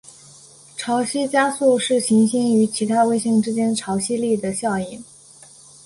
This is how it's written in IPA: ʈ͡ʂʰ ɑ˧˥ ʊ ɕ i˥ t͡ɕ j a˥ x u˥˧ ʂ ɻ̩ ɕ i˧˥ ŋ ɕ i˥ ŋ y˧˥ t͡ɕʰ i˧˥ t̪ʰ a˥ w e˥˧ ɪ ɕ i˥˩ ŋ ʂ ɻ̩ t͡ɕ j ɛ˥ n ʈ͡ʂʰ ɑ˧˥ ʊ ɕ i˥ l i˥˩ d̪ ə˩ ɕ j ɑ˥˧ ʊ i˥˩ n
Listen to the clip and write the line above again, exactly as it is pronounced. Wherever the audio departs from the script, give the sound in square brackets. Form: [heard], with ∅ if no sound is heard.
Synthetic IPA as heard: ʈ͡ʂʰ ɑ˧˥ ʊ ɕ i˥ t͡ɕ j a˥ [s] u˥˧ ʂ ɻ̩ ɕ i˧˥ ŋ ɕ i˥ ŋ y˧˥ t͡ɕʰ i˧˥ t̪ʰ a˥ w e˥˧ ɪ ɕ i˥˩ ŋ [ʈ͡ʂ] ɻ̩ t͡ɕ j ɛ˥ n ʈ͡ʂʰ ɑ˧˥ ʊ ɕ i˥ l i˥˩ d̪ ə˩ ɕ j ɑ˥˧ ʊ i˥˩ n